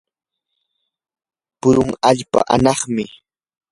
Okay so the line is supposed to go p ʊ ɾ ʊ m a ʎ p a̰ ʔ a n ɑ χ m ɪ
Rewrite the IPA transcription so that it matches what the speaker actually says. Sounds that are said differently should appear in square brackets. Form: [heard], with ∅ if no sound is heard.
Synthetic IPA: p ʊ ɾ ʊ [ŋ] a ʎ p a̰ ʔ a n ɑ χ m ɪ